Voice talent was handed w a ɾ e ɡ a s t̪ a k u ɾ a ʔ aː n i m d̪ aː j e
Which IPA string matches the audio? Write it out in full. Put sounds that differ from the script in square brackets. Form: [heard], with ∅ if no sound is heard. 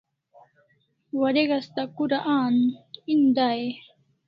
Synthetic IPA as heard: w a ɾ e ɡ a s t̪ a k u ɾ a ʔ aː n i [n] d̪ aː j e